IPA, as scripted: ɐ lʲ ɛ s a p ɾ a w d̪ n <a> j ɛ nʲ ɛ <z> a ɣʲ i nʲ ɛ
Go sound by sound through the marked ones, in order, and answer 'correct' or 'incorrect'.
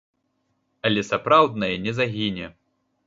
incorrect: ɐ, correct

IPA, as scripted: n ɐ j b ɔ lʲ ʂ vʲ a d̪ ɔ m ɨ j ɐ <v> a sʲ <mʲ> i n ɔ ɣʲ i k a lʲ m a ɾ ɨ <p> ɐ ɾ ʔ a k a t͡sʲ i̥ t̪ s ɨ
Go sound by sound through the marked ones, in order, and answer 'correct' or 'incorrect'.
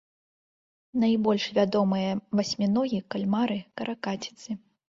correct, correct, incorrect: k

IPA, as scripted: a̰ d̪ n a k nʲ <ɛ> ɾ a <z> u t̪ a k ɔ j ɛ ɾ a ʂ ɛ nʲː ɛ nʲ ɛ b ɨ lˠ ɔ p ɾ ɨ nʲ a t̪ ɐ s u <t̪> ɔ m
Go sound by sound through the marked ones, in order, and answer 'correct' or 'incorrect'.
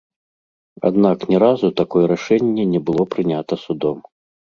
correct, correct, incorrect: d̪

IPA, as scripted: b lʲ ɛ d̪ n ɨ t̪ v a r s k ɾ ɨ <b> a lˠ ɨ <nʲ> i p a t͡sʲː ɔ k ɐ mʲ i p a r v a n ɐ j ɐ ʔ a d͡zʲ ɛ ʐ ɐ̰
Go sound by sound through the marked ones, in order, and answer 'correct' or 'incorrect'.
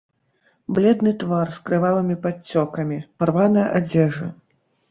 incorrect: v, incorrect: mʲ

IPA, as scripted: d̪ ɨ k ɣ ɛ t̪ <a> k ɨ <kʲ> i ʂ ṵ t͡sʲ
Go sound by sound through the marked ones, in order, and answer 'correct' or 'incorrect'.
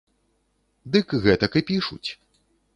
incorrect: ɐ, incorrect: pʲ

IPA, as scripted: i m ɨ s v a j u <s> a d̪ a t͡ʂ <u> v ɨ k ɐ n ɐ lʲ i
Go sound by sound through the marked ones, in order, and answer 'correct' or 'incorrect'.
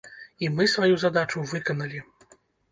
incorrect: z, correct

